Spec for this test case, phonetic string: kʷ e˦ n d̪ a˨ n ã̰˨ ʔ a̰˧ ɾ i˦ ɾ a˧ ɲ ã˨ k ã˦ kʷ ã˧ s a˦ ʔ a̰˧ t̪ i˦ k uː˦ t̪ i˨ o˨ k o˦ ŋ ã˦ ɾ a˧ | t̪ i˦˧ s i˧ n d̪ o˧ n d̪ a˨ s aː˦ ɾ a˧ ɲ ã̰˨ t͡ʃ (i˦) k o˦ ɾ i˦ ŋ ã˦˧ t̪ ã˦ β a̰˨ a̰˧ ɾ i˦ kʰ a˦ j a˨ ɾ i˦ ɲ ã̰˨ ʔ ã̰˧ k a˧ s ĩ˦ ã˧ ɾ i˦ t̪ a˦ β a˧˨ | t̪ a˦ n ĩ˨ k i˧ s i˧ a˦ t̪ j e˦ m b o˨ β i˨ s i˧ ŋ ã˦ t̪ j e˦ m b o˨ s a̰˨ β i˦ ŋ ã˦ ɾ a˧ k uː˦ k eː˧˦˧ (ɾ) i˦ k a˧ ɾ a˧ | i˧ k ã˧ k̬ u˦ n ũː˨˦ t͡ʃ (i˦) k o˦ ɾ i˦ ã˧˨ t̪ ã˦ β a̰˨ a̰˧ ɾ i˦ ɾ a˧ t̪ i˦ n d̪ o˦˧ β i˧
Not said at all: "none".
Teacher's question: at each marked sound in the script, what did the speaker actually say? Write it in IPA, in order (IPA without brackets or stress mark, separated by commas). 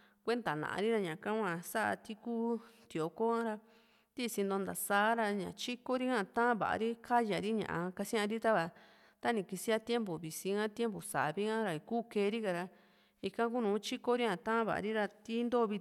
i˦, ɾ, i˦